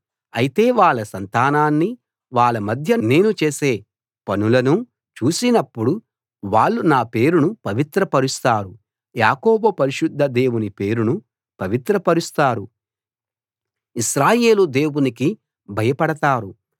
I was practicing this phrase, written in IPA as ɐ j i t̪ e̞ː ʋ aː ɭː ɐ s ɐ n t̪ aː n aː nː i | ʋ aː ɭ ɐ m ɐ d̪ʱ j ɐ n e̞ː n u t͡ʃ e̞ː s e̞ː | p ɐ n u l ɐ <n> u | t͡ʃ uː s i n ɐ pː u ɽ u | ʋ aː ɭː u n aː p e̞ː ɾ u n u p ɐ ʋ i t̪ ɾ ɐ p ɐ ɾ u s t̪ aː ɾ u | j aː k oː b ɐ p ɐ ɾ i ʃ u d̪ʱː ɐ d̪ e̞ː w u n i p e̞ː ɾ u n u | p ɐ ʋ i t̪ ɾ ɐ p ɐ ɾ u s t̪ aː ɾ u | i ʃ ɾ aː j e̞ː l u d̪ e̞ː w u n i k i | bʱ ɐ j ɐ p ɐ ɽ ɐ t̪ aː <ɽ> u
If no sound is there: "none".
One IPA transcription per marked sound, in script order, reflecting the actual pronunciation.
n, ɾ

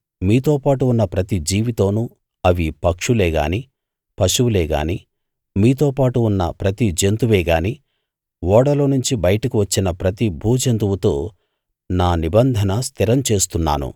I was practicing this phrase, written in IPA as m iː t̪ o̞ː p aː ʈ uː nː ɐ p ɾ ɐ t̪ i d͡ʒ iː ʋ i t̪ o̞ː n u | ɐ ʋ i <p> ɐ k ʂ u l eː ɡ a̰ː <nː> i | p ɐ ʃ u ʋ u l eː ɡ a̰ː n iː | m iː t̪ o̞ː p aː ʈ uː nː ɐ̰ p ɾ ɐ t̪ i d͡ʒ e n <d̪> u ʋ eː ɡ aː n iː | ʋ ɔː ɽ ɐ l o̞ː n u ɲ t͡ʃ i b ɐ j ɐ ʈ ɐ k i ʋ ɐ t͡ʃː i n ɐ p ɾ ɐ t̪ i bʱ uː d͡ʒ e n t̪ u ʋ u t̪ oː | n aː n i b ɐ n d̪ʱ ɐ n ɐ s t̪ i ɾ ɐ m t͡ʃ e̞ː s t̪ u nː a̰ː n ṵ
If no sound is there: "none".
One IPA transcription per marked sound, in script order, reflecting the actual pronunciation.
p, n, t̪

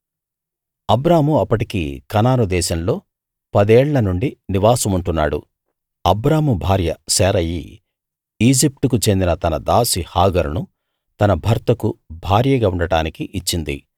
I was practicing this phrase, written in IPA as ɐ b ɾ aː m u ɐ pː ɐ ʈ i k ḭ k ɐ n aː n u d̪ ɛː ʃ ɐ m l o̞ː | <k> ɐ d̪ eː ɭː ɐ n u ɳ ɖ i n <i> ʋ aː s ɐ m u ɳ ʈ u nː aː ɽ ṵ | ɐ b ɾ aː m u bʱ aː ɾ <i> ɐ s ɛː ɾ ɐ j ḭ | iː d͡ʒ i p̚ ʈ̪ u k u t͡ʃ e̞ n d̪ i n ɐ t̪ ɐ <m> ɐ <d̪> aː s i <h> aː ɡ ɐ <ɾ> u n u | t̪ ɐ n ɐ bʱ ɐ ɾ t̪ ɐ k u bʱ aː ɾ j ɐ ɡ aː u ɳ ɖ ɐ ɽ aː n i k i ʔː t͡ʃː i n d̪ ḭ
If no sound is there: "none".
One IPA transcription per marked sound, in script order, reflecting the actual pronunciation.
p, i, j, n, d̪, h, ɾ

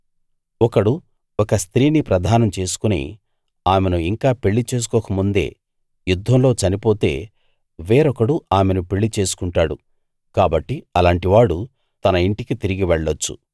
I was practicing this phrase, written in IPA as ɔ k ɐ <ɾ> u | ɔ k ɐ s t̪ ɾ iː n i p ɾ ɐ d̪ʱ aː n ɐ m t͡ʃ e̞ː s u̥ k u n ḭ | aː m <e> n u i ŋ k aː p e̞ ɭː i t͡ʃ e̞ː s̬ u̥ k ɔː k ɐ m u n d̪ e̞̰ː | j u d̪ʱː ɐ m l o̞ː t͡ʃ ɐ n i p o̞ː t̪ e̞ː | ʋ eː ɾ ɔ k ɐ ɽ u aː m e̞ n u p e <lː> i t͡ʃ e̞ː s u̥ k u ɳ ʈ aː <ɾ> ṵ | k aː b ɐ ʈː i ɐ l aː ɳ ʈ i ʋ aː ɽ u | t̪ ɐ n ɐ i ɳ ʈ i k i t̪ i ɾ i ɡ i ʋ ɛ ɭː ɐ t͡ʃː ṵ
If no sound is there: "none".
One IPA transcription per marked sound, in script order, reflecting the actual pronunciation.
ɽ, e, ɭː, ɽ

